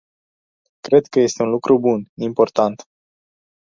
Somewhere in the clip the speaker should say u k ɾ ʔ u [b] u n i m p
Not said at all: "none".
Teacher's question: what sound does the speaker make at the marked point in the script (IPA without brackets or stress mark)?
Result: b